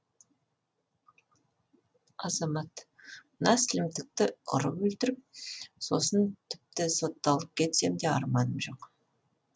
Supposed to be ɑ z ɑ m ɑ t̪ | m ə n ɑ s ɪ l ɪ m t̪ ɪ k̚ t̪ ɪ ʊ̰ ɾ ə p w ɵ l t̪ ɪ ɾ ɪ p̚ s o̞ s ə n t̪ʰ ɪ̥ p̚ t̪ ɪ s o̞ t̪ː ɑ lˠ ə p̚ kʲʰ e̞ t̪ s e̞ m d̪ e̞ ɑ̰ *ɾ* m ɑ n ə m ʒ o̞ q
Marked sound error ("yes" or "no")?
no